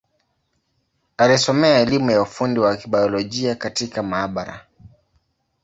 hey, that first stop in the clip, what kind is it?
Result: plain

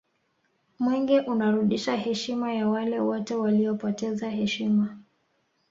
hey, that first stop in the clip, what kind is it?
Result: plain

